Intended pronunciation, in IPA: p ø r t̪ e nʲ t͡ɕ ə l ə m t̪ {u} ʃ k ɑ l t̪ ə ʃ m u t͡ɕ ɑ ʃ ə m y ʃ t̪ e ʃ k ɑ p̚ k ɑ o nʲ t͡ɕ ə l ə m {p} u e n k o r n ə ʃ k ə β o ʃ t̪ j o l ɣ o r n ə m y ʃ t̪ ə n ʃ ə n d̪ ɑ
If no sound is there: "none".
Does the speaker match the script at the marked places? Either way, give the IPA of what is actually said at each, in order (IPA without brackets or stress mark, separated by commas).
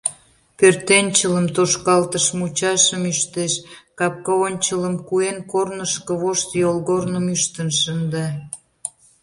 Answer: o, k